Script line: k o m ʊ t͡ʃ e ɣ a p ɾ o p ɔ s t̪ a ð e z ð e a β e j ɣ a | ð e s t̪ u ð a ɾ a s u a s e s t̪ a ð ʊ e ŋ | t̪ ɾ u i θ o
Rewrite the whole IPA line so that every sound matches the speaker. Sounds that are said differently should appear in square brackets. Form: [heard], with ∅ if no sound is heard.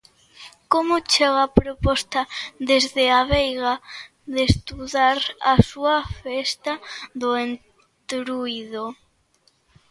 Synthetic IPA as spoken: k o m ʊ t͡ʃ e ɣ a p ɾ o p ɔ s t̪ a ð e z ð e a β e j ɣ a | ð e s t̪ u ð a ɾ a s u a [f] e s t̪ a ð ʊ e [n] | t̪ ɾ u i [ð] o